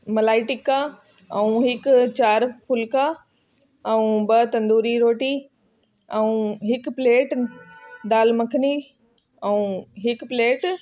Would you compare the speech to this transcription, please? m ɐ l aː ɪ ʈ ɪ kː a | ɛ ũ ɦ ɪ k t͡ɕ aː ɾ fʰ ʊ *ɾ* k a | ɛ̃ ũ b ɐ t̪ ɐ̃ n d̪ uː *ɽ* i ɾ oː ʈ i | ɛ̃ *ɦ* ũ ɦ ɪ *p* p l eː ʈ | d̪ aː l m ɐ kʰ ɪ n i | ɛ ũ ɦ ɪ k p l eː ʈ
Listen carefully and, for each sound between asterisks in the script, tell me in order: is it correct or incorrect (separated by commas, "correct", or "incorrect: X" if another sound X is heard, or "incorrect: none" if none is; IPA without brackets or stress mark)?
incorrect: l, incorrect: ɾ, incorrect: none, incorrect: k